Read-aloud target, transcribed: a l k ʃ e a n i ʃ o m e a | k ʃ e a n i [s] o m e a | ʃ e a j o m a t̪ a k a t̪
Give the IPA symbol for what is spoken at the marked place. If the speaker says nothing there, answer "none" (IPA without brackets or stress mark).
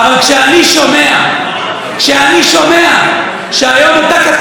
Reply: ʃ